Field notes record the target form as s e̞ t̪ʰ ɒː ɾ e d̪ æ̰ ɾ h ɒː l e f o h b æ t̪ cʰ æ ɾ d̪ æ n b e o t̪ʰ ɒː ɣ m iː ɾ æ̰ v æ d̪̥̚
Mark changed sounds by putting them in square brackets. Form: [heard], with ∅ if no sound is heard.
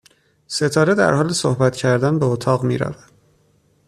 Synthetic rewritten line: s e̞ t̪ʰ ɒː ɾ e d̪ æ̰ ɾ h ɒː l e [s] o h b æ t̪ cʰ æ ɾ d̪ æ n b e o t̪ʰ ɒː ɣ m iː ɾ æ̰ v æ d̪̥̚